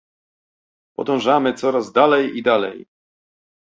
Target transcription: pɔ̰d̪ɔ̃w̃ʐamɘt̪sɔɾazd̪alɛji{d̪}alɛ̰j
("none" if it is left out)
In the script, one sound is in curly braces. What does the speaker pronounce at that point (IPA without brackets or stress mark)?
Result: d̪